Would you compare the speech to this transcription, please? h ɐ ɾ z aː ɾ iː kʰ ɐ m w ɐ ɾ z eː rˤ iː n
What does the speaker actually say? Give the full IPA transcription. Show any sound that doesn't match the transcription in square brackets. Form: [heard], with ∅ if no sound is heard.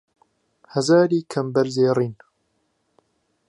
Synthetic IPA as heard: h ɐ [∅] z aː ɾ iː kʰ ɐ m [b] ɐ ɾ z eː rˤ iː n